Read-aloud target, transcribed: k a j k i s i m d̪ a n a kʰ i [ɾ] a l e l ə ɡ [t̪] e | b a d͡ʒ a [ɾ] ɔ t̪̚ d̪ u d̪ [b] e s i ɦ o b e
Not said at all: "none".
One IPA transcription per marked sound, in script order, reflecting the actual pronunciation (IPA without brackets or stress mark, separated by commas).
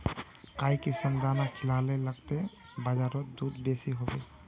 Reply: l, t̪, ɾ, b